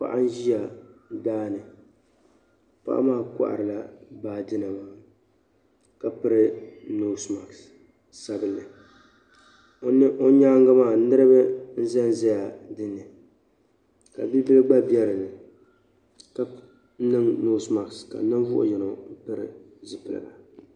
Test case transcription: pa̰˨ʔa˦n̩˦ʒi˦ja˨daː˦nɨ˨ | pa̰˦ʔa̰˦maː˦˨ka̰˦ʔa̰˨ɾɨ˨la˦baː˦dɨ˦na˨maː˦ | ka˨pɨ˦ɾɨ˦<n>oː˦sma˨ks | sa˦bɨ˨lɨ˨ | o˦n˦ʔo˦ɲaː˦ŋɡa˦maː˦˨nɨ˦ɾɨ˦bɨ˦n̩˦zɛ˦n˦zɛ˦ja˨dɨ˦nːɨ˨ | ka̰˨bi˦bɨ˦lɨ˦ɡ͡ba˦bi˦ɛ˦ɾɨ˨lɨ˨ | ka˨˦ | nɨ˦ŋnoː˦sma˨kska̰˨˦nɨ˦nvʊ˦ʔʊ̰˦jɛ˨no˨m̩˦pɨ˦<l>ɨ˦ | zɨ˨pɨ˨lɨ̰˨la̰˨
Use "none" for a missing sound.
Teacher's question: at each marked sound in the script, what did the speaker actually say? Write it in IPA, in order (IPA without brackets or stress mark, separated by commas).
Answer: n, ɾ